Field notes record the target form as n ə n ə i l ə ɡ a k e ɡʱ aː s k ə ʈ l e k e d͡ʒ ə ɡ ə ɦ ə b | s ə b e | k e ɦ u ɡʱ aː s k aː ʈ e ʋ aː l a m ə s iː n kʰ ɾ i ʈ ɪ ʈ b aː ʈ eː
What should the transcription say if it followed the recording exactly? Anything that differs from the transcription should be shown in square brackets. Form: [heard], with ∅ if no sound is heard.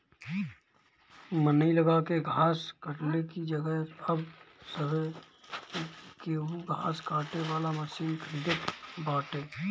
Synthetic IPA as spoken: [m] ə n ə i l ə ɡ a k e ɡʱ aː s k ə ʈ l e k [i] d͡ʒ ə ɡ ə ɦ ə b | s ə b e | k e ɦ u ɡʱ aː s k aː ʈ e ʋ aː l a m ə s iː n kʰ ɾ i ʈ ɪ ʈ b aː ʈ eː